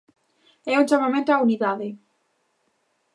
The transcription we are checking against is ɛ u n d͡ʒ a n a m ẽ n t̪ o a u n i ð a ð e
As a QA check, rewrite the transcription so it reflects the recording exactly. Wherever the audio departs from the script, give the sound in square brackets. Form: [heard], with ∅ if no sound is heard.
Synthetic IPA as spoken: ɛ u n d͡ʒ a [m] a m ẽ n t̪ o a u n i ð a ð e